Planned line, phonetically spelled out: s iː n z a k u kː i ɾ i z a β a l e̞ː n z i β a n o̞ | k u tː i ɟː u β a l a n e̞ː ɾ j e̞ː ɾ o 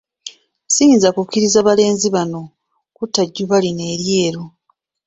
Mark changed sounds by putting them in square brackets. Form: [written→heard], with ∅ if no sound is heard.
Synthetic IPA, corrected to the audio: s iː n z a k u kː i ɾ i z a β a l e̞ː n z i β a n o̞ | k u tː [i→a] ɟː u β a l [a→i] n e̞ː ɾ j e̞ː ɾ o